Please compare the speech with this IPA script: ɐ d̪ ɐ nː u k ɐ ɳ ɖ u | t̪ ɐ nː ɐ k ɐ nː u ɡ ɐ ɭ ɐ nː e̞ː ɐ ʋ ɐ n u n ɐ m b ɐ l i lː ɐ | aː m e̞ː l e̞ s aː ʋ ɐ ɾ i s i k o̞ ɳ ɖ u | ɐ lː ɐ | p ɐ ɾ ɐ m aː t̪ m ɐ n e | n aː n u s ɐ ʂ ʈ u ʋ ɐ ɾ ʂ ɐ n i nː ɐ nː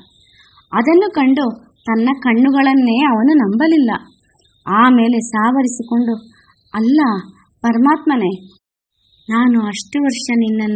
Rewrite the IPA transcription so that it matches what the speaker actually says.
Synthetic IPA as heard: ɐ d̪ ɐ nː u k ɐ ɳ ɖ u | t̪ ɐ nː ɐ k ɐ ɳː u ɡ ɐ ɭ ɐ nː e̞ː ɐ ʋ ɐ n u n ɐ m b ɐ l i lː ɐ | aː m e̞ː l e̞ s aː ʋ ɐ ɾ i s i k o̞ ɳ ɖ u | ɐ lː ɐ | p ɐ ɾ ɐ m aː t̪ m ɐ n e | n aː n u ɐ ʂ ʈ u ʋ ɐ ɾ ʂ ɐ n i nː ɐ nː